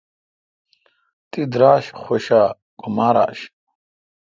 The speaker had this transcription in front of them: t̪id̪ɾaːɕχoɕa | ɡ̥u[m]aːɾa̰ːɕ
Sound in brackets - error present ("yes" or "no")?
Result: no